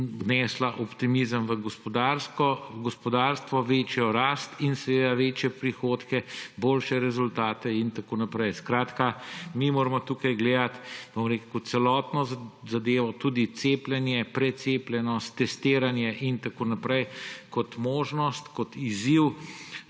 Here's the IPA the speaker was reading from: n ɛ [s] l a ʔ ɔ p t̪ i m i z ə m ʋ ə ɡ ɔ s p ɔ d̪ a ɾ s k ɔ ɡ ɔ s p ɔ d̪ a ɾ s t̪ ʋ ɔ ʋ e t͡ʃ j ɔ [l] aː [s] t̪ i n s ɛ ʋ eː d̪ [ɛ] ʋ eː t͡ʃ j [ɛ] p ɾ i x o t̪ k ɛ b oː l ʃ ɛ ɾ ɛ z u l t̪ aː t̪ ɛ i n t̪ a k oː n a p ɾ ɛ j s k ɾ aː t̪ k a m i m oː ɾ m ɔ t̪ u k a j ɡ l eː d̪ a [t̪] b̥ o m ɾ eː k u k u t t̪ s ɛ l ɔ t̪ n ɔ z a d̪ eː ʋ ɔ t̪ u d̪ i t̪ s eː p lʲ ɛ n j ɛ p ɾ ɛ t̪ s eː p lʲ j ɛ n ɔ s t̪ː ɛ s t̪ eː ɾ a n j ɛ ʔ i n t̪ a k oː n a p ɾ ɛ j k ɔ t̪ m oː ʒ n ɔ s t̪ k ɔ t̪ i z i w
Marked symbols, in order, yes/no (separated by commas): yes, no, yes, no, yes, yes